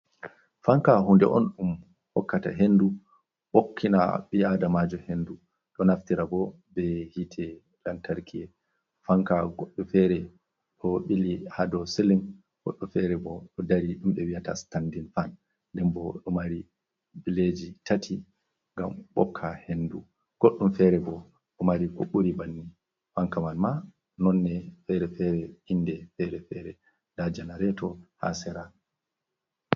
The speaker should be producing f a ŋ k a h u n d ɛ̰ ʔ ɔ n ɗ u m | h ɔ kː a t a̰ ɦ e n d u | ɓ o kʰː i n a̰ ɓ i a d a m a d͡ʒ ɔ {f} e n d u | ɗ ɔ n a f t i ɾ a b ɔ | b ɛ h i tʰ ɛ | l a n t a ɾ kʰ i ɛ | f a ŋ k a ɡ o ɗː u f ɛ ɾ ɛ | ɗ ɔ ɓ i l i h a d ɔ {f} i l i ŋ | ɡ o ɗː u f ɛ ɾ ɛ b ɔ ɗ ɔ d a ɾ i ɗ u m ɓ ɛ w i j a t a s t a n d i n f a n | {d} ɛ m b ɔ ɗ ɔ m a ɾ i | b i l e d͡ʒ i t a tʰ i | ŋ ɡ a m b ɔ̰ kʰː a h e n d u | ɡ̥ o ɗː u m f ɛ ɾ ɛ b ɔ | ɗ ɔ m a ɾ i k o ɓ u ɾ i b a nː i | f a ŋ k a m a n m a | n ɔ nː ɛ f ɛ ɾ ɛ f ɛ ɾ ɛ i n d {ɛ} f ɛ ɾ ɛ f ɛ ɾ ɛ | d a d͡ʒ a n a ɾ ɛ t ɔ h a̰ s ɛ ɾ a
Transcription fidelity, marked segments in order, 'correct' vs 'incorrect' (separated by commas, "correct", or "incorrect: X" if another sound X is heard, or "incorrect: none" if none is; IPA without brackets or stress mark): incorrect: h, incorrect: s, correct, correct